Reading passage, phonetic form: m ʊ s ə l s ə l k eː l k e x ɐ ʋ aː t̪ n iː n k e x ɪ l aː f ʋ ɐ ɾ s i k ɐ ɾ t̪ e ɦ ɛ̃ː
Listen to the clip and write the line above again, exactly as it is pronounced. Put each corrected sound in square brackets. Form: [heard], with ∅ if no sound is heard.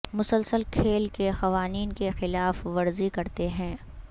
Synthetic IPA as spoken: m ʊ s ə l s ə l [kʰ] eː l k e x ɐ ʋ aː [∅] n iː n k e x ɪ l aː f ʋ ɐ ɾ [z] i k ɐ ɾ t̪ e ɦ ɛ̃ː